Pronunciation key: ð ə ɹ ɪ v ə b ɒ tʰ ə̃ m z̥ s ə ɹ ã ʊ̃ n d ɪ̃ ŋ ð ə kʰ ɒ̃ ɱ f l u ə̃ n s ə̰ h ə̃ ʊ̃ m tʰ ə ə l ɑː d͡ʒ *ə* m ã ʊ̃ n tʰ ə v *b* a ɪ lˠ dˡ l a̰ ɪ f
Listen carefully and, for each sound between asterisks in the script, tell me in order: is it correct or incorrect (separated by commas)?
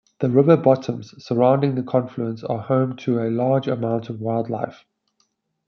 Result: correct, incorrect